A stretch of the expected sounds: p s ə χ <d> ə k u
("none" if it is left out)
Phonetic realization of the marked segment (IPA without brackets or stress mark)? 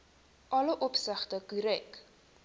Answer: t